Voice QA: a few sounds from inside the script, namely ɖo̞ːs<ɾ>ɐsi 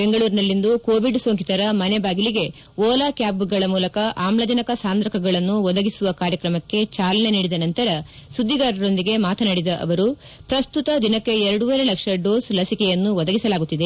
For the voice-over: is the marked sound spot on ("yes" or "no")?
no